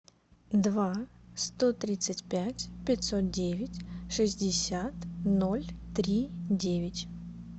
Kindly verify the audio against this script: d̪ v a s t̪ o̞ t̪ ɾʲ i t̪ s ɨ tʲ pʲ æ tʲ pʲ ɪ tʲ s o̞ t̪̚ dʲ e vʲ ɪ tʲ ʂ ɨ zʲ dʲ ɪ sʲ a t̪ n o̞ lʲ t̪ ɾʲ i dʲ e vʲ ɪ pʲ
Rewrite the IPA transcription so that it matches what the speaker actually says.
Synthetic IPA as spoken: d̪ v a s t̪ o̞ t̪ ɾʲ i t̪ s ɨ tʲ pʲ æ tʲ pʲ ɪ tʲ s o̞ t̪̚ dʲ e vʲ ɪ tʲ ʂ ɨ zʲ dʲ ɪ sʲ a t̪ n o̞ lʲ t̪ ɾʲ i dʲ e vʲ ɪ tʲ